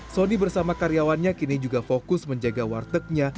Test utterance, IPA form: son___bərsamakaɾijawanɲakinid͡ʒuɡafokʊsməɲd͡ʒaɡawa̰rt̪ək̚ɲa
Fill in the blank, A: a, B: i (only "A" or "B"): B